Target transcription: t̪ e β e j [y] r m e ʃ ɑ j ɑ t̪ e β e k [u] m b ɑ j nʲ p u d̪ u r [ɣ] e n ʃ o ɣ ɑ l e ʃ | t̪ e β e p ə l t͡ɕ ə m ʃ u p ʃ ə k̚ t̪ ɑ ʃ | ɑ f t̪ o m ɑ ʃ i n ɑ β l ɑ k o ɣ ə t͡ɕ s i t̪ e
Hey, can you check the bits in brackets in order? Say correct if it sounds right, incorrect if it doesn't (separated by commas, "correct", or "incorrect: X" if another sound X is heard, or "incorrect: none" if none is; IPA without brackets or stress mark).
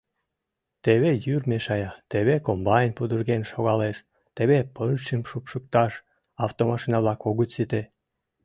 correct, incorrect: o, correct